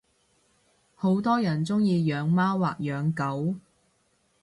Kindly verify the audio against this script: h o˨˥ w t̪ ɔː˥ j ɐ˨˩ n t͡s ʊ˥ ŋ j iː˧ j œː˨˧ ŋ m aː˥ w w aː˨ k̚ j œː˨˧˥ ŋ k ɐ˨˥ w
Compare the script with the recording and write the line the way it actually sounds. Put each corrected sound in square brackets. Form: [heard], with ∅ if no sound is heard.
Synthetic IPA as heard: h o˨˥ w t̪ ɔː˥ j ɐ˨˩ n t͡s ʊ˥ ŋ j iː˧ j œː˨˧ ŋ m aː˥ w w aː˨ k̚ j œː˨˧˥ ŋ k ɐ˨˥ w